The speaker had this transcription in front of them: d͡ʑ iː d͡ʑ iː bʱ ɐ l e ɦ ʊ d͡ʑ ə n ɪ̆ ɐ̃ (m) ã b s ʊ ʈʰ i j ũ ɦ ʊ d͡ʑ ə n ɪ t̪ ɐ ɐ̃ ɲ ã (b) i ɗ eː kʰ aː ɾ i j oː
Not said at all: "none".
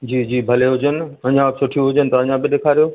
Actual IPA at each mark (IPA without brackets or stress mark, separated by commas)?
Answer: ɲ, b